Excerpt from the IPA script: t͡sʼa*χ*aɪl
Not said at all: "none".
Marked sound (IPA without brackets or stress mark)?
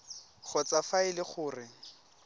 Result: f